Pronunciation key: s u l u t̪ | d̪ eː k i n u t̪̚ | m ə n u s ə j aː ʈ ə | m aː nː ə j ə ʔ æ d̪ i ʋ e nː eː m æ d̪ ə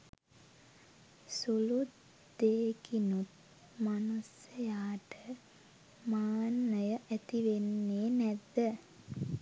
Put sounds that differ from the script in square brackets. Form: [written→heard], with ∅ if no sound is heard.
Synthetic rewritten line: s u l u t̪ | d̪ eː k i n u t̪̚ | m [ə→a] n u s ə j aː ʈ ə | m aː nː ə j ə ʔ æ [d̪→t̪] i ʋ e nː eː [m→n] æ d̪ ə

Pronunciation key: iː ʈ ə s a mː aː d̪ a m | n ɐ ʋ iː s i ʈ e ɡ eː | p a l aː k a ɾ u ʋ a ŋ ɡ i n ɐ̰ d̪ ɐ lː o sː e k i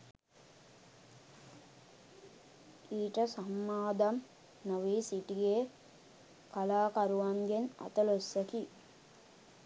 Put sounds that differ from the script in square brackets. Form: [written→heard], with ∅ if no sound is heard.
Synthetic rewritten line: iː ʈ ə s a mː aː d̪ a m | n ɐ ʋ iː s i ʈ [e→i] ɡ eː | [p→k] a l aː k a ɾ u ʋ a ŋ ɡ [i→e] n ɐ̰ [d̪→t̪] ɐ [lː→l] o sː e k i

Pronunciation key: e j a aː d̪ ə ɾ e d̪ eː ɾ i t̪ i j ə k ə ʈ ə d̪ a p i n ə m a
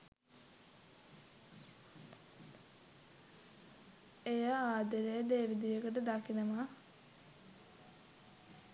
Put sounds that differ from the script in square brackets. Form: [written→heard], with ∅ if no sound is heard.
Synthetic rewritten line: e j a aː d̪ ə ɾ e d̪ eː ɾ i [t̪→d̪] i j ə k ə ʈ ə d̪ a [p→k] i n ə m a

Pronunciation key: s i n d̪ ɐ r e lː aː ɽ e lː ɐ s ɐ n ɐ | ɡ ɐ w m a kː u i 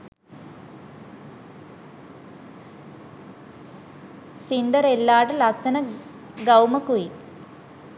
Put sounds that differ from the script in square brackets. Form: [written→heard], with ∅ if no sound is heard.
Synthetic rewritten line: s i n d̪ ɐ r e lː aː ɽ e [lː→l] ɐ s ɐ n ɐ | ɡ ɐ w m [a→ɐ] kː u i

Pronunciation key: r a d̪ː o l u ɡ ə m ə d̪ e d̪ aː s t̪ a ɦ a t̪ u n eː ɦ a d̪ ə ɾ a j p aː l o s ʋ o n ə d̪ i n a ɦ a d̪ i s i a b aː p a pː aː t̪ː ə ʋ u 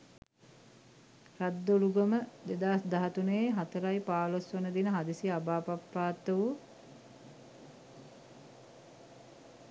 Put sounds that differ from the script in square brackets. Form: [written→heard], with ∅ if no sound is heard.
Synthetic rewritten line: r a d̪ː o l u ɡ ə m ə d̪ e d̪ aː s [t̪→d̪] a ɦ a t̪ u n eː ɦ a [d̪→t̪] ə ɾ a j p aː l o s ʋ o n ə d̪ i n [a→ə] ɦ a d̪ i s i a b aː p a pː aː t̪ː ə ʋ u

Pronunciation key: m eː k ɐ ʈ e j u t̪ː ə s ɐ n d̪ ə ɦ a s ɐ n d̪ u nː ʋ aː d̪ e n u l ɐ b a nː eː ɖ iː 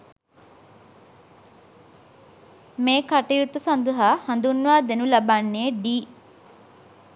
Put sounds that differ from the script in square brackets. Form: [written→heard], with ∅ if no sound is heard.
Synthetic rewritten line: m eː k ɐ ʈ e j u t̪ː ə s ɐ n d̪ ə ɦ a [s→h] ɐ n d̪ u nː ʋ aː d̪ e n u l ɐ b a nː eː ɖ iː

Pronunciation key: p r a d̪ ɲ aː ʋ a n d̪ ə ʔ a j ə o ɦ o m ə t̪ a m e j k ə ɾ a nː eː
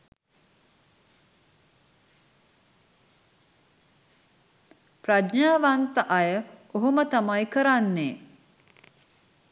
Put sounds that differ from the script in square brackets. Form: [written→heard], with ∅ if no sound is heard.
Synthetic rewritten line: p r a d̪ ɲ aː ʋ a n [d̪→t̪] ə ʔ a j ə o ɦ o m ə t̪ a m [e→a] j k ə ɾ a nː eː

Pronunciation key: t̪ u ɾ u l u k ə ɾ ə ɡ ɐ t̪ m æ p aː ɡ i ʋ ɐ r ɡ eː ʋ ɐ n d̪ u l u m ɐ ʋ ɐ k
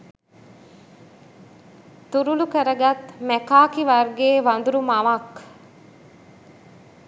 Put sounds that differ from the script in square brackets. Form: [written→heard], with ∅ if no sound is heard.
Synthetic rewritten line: t̪ u ɾ u l u k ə ɾ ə ɡ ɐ t̪ m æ [p→k] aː [ɡ→k] i ʋ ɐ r ɡ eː ʋ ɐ n d̪ u [l→ɾ] u m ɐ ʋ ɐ k

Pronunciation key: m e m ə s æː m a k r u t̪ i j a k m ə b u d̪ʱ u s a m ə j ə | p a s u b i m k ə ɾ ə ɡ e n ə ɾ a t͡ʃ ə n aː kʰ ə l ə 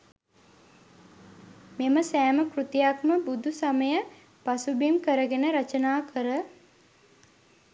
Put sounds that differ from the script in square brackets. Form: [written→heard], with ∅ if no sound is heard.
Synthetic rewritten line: m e m ə s æː m [a→ə] k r u t̪ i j a k m ə b u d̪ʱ u s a m ə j ə | p a s u b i m k ə ɾ ə ɡ e n ə ɾ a t͡ʃ ə n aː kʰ ə [l→ɾ] ə

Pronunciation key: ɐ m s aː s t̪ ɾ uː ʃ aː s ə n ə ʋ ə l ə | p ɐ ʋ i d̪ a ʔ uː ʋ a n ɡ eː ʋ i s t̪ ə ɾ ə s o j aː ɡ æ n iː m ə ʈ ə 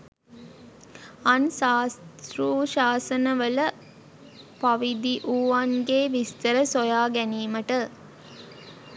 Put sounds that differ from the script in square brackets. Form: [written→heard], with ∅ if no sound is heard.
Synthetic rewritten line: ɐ [m→n] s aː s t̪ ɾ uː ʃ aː s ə n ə ʋ ə l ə | p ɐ ʋ i d̪ [a→i] ʔ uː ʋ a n ɡ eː ʋ i s t̪ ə ɾ ə s o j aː ɡ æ n iː m ə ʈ ə

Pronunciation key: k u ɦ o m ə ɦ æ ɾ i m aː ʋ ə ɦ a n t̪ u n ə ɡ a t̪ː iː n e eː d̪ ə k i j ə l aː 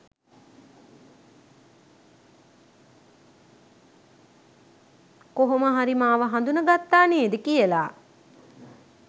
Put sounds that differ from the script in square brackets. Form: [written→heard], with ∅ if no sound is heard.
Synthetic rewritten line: k [u→o] ɦ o m ə ɦ [æ→a] ɾ i m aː ʋ ə ɦ a n [t̪→d̪] u n ə ɡ a t̪ː [iː→aː] n e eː d̪ ə k i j ə l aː

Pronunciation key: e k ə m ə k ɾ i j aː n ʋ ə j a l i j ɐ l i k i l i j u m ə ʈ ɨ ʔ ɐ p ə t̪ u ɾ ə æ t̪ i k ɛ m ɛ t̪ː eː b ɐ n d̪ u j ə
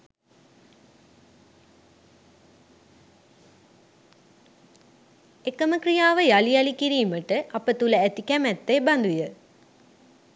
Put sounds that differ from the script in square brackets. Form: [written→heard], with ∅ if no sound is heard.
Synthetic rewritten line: e k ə m ə k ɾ i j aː [n→∅] ʋ ə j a l i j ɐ l i k i [l→ɾ] i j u m ə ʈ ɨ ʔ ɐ p ə t̪ u [ɾ→l] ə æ t̪ i k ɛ m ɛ t̪ː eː b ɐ n d̪ u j ə

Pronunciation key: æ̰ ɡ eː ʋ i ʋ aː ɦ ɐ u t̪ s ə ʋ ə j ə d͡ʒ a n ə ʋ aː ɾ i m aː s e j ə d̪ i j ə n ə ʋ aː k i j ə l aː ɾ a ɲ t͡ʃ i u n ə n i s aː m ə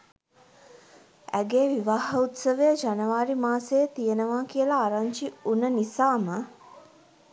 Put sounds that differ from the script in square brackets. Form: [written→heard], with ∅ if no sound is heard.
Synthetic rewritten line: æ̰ ɡ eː ʋ i ʋ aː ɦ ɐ u t̪ s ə ʋ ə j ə d͡ʒ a n ə ʋ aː ɾ i m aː s e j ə [d̪→t̪] i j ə n ə ʋ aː k i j ə l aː ɾ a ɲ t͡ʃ i u n ə n i s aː m ə

